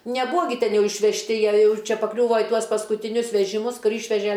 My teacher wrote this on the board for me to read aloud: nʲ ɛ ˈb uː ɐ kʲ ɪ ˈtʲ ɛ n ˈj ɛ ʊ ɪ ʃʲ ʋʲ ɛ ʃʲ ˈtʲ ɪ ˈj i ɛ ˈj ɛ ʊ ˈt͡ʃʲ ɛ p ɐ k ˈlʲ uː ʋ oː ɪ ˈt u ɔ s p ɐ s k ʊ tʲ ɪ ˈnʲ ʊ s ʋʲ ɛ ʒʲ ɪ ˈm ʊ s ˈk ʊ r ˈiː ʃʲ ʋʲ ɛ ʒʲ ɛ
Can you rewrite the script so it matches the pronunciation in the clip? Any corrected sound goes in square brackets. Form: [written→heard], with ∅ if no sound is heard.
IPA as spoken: nʲ ɛ ˈb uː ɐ [kʲ→ɡʲ] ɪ ˈtʲ ɛ n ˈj ɛ ʊ ɪ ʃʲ ʋʲ ɛ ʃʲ ˈtʲ ɪ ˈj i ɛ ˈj ɛ ʊ ˈt͡ʃʲ ɛ p ɐ k ˈlʲ uː ʋ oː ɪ ˈt u ɔ s p ɐ s k ʊ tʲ ɪ ˈnʲ ʊ s ʋʲ ɛ ʒʲ ɪ ˈm ʊ s ˈk ʊ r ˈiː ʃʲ ʋʲ ɛ ʒʲ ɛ